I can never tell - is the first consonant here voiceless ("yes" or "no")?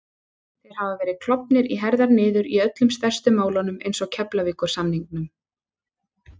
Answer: yes